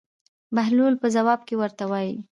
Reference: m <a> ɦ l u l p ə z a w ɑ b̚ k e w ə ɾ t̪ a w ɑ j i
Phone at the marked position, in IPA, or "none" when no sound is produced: a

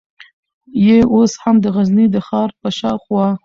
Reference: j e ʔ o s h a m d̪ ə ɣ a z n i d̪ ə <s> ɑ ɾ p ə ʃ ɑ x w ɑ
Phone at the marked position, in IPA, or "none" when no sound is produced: x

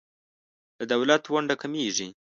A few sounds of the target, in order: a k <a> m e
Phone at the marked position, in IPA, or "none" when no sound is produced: a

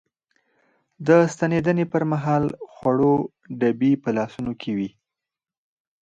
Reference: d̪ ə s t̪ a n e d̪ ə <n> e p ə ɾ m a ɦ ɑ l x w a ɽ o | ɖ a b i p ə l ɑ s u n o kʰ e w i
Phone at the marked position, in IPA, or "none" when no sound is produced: n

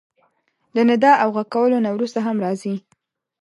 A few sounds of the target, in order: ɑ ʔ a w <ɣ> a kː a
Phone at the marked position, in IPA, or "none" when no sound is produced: ɣ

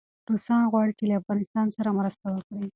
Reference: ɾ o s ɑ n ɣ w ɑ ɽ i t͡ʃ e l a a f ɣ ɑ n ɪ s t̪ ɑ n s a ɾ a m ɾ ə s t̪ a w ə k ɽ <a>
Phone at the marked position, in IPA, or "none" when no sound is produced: i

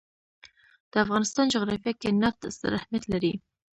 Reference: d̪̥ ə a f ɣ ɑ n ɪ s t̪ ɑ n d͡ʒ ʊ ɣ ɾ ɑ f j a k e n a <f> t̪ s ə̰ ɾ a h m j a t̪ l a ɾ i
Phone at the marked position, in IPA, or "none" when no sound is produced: f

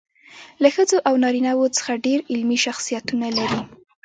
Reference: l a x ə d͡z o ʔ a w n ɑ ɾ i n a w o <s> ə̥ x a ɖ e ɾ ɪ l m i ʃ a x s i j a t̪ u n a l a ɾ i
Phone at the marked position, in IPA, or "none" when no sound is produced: t͡s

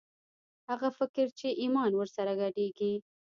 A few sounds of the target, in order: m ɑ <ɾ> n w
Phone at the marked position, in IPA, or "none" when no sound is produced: none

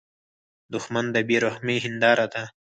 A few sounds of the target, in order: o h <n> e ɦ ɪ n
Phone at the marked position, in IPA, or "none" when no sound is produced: m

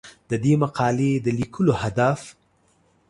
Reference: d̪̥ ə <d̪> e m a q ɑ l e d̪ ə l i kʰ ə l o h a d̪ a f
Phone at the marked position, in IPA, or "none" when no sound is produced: d̪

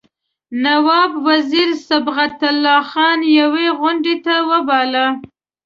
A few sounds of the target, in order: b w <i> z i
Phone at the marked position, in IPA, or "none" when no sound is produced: a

